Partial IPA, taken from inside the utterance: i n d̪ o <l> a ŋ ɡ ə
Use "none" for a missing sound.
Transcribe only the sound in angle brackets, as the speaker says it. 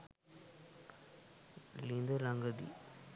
l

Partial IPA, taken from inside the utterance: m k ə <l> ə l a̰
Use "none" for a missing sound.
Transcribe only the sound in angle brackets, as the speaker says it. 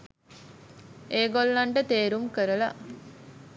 ɾ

